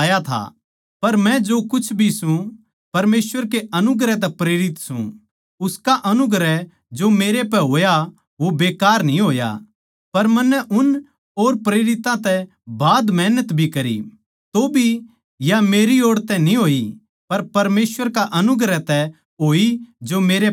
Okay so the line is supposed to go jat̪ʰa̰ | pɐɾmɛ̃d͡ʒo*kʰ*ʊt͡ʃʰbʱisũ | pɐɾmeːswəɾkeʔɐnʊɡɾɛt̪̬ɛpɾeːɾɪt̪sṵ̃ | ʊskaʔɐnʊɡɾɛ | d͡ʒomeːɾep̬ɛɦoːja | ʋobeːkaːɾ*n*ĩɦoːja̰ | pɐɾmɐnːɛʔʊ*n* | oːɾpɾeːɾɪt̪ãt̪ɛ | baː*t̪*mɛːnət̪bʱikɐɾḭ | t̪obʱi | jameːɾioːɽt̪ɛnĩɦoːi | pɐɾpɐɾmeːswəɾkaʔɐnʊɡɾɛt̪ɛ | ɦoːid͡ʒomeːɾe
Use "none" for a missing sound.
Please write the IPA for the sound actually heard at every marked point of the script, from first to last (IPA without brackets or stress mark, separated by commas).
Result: k, n, n, d̪